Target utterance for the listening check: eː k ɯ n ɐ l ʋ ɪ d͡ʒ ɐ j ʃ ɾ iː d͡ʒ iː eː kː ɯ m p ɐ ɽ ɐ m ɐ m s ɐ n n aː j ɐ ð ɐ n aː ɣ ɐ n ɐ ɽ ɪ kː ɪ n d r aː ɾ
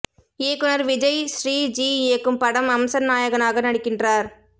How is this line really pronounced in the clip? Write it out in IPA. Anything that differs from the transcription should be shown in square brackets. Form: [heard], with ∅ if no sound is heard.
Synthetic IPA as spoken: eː k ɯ n ɐ [ɾ] ʋ ɪ d͡ʒ ɐ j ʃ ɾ iː d͡ʒ iː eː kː ɯ m p ɐ ɽ ɐ m ɐ m s ɐ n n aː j ɐ [ɣ] ɐ n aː ɣ ɐ n ɐ ɽ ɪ kː ɪ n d r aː ɾ